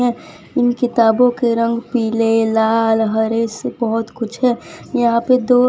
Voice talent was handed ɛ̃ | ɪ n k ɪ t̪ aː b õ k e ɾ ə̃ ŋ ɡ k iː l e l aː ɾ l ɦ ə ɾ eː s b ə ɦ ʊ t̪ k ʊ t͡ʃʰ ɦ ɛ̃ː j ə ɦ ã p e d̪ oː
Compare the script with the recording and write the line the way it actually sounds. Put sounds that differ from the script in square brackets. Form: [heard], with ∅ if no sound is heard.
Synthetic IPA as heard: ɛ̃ | ɪ n k ɪ t̪ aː b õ k e ɾ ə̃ ŋ ɡ [p] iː l e l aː [∅] l ɦ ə ɾ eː s b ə ɦ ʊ t̪ k ʊ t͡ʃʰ ɦ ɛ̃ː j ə ɦ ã p e d̪ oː